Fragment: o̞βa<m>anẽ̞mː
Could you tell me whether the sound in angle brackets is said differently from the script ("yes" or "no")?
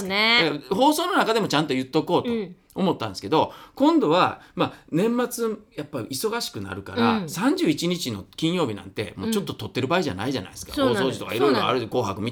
no